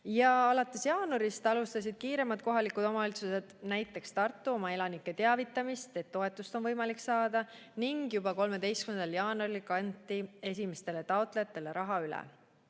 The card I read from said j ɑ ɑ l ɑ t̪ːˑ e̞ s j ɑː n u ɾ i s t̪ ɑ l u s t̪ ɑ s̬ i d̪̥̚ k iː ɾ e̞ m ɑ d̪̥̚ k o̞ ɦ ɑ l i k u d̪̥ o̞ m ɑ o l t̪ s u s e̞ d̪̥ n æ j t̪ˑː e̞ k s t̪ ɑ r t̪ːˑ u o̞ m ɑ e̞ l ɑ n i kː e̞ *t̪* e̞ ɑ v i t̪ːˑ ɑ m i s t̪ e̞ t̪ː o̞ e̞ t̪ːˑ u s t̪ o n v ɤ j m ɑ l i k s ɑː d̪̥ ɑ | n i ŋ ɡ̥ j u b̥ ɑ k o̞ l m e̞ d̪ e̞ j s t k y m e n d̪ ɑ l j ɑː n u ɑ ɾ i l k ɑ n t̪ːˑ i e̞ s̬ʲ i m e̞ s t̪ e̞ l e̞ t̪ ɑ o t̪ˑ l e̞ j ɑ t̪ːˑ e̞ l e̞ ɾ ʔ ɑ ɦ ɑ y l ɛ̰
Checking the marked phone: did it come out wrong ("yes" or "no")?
no